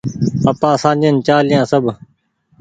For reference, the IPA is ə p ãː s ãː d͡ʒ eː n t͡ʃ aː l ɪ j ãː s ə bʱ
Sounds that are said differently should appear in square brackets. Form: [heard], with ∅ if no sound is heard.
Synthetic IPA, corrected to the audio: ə p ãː s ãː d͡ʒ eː n t͡ʃ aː l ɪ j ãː s ə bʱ